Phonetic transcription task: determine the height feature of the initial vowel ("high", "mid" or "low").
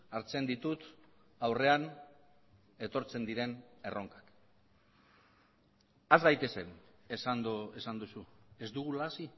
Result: low